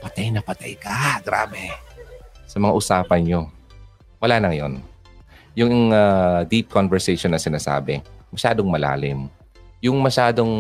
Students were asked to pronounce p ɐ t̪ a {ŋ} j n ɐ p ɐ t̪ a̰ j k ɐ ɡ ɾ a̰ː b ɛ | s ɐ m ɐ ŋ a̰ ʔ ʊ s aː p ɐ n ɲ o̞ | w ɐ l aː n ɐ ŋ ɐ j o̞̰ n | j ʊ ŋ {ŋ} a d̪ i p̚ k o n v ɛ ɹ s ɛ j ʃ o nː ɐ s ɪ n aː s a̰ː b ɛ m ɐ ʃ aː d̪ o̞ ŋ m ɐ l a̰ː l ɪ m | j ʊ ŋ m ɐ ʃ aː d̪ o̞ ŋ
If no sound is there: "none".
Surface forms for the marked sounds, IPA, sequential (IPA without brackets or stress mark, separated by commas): none, ŋ